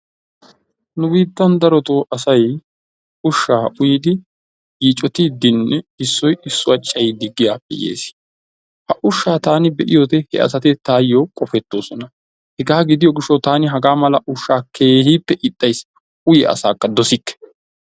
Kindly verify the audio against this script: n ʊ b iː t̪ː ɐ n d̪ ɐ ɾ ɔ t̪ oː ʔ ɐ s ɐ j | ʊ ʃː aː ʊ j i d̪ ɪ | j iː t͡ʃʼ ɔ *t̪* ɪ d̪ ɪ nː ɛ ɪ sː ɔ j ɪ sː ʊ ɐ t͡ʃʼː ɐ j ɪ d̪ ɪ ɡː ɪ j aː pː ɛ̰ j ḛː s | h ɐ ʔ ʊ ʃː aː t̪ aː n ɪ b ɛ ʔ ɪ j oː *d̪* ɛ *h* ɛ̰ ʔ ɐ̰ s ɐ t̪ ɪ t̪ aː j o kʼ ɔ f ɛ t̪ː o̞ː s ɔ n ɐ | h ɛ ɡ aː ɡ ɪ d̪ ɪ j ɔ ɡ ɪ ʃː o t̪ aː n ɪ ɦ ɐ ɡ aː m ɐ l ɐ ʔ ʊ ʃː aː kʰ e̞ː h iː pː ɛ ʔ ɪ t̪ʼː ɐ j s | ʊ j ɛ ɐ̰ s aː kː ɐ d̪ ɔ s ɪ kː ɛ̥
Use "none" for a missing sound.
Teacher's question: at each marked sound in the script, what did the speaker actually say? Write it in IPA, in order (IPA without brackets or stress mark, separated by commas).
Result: t̪, t̪, h